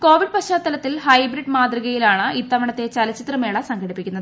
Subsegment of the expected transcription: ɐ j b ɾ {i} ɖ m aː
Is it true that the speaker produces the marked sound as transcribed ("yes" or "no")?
yes